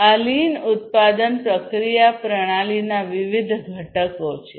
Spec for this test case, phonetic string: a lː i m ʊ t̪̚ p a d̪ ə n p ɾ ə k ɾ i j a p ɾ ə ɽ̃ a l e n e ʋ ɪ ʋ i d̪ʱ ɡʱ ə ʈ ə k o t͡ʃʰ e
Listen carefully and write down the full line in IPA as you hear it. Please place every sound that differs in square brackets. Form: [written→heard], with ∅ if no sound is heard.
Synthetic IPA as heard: a [lː→l] i [m→n] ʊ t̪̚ p a d̪ ə n p ɾ ə k ɾ i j a p ɾ ə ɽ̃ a l [e→i] n [e→a] ʋ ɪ ʋ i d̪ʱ ɡʱ ə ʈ ə k o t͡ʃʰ e